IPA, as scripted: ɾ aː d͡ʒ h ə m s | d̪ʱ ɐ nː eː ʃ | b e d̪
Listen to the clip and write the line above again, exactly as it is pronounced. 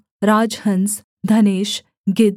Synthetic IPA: ɾ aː d͡ʒ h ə n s | d̪ʱ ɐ n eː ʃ | ɡ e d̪